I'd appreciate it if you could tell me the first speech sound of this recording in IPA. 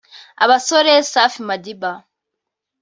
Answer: a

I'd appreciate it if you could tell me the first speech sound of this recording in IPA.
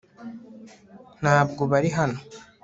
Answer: n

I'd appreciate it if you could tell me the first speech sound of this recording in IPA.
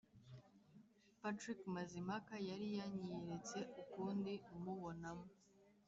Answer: p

